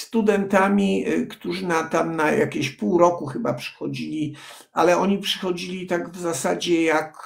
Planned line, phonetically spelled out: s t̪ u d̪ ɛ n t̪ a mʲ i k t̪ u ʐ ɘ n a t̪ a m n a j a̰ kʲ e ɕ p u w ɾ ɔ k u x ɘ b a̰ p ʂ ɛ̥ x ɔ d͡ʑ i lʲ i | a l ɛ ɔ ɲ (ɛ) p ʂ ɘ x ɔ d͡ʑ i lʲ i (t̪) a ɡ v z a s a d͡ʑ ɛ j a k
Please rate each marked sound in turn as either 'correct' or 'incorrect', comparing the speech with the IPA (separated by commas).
incorrect, correct